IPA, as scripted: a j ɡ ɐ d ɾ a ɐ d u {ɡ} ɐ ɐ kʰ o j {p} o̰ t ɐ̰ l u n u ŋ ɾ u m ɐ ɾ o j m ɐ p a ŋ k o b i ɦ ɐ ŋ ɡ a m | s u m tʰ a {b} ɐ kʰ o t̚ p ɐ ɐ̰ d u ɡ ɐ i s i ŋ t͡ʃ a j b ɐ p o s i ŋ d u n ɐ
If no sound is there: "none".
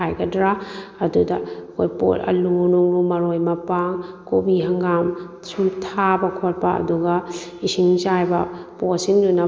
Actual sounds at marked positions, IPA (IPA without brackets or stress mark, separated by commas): d, p, b